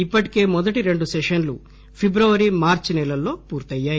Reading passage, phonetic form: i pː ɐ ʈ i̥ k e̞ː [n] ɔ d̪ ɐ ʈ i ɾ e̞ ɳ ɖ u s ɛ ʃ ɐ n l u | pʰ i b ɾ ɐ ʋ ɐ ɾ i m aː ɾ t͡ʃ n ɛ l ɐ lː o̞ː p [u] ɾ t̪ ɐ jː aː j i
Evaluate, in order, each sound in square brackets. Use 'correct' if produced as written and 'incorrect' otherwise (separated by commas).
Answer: incorrect, incorrect